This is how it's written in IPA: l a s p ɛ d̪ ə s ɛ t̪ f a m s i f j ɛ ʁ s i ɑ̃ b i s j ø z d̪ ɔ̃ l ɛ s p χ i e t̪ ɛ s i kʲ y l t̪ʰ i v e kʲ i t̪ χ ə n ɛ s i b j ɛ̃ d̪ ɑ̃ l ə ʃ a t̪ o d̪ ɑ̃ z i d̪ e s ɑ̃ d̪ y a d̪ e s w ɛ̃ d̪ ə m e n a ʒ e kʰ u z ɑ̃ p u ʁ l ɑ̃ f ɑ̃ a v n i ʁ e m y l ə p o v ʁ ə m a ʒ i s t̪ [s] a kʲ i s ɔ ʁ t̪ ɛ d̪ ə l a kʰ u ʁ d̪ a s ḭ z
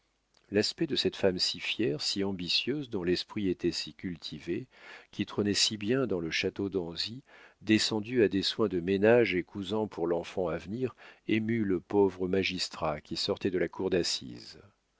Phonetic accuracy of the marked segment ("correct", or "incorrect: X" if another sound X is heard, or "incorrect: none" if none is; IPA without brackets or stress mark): incorrect: χ